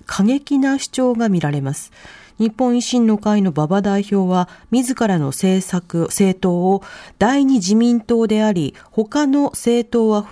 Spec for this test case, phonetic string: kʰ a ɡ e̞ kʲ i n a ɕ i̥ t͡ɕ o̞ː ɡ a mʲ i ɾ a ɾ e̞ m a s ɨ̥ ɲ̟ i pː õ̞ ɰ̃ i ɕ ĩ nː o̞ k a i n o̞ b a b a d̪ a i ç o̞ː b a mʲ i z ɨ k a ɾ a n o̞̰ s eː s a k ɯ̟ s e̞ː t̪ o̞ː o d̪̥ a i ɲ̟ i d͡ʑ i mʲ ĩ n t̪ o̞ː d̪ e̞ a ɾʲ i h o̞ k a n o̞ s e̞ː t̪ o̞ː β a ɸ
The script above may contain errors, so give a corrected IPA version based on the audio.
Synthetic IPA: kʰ a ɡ e̞ kʲ i n a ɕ i̥ t͡ɕ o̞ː ɡ a mʲ i ɾ a ɾ e̞ m a s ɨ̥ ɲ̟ i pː õ̞ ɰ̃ i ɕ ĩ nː o̞ k a i n o̞ b a b a d̪ a i ç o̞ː β a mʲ i z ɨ k a ɾ a n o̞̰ s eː s a k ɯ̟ s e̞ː t̪ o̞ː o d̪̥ a i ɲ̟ i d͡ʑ i mʲ ĩ n t̪ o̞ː d̪ e̞ a ɾʲ i h o̞ k a n o̞ s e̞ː t̪ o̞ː β a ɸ